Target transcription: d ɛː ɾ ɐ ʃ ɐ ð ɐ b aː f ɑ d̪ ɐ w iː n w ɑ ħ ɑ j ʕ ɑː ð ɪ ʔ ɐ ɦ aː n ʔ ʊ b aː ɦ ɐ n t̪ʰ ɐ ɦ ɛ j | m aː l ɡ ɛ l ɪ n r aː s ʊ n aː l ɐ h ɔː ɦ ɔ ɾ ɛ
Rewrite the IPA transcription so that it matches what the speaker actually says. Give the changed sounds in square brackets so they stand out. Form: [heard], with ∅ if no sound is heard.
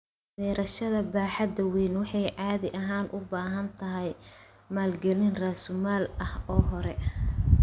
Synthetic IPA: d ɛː ɾ ɐ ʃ ɐ ð ɐ b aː [ħ] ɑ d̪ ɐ w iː n w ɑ ħ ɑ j ʕ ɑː ð ɪ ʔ ɐ ɦ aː n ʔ ʊ b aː ɦ ɐ n t̪ʰ ɐ ɦ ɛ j | m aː l ɡ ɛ l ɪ n r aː s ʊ [m] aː l ɐ h ɔː ɦ ɔ ɾ ɛ